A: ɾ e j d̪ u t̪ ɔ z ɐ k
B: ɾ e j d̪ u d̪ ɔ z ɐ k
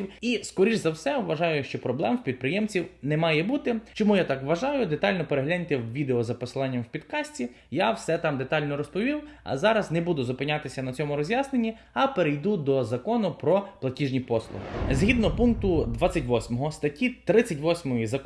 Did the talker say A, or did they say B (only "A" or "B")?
B